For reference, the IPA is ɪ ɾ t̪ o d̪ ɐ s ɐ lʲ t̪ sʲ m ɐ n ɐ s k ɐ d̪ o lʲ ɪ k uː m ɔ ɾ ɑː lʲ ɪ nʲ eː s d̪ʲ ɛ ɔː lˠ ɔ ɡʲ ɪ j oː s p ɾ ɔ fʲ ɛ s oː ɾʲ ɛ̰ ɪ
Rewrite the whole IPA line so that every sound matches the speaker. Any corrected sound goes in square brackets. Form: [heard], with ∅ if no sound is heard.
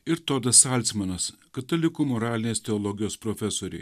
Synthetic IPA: ɪ ɾ t̪ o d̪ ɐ s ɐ lʲ t̪ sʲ m ɐ n ɐ s k ɐ [t̪] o lʲ ɪ k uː m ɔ ɾ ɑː lʲ ɪ nʲ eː s [t̪ʲ] ɛ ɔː lˠ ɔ ɡʲ ɪ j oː s p ɾ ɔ fʲ ɛ s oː ɾʲ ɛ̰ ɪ